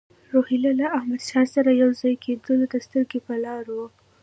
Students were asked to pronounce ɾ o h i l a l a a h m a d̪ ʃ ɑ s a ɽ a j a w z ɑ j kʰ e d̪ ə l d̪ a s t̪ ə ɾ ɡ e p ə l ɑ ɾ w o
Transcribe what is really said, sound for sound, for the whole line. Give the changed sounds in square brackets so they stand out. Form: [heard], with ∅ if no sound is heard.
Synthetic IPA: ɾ o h i l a l a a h m a d̪ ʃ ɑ s a [ɾ] a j a w z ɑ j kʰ e d̪ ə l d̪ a s t̪ ə ɾ ɡ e p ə l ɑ ɾ w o

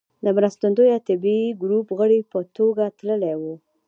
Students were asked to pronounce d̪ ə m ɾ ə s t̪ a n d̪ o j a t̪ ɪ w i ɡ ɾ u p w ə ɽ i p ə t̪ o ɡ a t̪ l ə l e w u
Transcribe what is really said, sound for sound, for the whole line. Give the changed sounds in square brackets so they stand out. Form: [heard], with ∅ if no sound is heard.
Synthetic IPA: d̪ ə m ɾ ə s t̪ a n d̪ o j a t̪ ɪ [b] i ɡ ɾ u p [ɣ] ə ɽ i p ə t̪ o ɡ a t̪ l ə l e w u

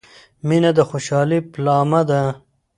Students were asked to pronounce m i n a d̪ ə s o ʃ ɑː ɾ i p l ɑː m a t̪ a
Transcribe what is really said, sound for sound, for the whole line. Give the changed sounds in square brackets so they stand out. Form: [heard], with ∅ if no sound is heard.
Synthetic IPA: m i n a d̪ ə [x] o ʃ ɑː [l] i p l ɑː m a [d̪] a

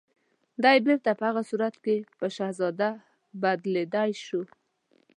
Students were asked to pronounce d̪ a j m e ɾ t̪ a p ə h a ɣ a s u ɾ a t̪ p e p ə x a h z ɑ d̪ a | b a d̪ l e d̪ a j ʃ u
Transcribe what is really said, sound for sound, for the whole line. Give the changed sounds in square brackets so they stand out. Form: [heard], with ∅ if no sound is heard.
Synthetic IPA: d̪ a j [b] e ɾ t̪ a p ə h a ɣ a s u ɾ a t̪ [k] e p ə [ʃ] a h z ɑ d̪ a | b a d̪ l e d̪ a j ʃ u

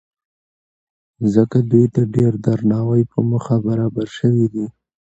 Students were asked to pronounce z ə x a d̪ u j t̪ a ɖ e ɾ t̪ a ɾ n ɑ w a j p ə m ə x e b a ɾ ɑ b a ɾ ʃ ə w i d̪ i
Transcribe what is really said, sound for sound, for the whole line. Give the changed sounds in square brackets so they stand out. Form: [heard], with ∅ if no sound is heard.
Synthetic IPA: z ə [k] a d̪ u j t̪ a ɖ e ɾ [d̪] a ɾ n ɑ w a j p ə m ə x [a] b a ɾ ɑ b a ɾ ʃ ə w i d̪ i

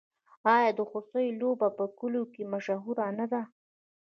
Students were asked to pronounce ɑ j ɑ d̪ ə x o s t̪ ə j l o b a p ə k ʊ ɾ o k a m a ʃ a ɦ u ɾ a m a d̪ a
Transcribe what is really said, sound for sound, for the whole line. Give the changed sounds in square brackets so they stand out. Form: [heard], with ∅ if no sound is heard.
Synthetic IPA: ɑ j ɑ d̪ ə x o s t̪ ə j l o b a p ə k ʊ [l] o k [e] m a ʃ a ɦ u ɾ a [n] a d̪ a

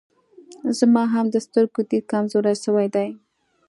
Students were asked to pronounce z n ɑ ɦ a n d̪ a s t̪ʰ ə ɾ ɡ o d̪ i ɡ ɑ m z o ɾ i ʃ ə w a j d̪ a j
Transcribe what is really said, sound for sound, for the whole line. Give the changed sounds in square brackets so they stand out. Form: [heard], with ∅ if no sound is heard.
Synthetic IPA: z [m] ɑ ɦ a [m] d̪ [ə] s [t̪] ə ɾ ɡ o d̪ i [k] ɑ m z o ɾ [a] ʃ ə w a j d̪ a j

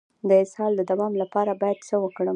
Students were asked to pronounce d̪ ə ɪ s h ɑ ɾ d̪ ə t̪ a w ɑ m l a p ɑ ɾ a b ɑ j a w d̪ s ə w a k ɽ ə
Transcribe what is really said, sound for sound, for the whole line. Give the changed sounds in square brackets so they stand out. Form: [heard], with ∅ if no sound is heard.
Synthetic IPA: d̪ ə ɪ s h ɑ [l] d̪ ə [d̪] a w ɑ m l a p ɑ ɾ a b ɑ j a [∅] d̪ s ə w [ə] k ɽ ə

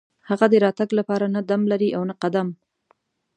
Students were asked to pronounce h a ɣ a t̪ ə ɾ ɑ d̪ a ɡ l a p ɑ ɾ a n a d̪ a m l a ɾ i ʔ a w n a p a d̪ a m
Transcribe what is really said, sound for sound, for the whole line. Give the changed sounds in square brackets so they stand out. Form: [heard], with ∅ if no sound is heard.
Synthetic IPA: h a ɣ a [d̪] ə ɾ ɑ [t̪] a ɡ l a p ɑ ɾ a n a d̪ a m l a ɾ i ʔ a w n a [q] a d̪ a m

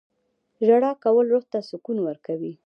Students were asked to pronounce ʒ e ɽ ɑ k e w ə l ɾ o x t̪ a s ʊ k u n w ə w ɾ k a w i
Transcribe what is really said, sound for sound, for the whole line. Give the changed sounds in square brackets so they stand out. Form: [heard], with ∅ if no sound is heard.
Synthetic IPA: ʒ [a] ɽ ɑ k [a] w ə l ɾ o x t̪ a s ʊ k u n w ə [∅] ɾ k a w i

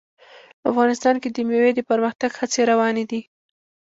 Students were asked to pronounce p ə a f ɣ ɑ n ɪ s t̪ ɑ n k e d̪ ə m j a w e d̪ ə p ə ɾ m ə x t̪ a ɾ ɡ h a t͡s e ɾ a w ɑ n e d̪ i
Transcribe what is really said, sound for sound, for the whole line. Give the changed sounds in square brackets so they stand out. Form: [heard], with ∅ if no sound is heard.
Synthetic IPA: p ə a f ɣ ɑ n ɪ s t̪ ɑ n k e d̪ ə m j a w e d̪ ə p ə ɾ m ə x t̪ a [∅] ɡ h a t͡s e ɾ a w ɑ n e d̪ i

